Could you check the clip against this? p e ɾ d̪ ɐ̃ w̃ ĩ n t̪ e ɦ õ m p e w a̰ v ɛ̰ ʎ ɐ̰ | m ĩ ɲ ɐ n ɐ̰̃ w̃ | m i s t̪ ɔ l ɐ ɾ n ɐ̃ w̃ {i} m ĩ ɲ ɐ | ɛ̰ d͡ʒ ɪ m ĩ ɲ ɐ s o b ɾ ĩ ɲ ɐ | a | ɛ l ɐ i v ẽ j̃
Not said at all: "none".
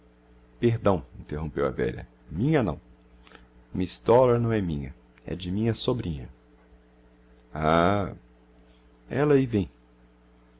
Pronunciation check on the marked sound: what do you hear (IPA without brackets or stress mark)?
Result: ɛ